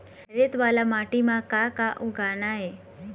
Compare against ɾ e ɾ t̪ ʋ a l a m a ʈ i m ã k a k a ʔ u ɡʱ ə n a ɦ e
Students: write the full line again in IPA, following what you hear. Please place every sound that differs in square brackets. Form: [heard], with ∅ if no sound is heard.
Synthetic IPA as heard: ɾ e [∅] t̪ ʋ a l a m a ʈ i m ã k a k a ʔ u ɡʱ [a] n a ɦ e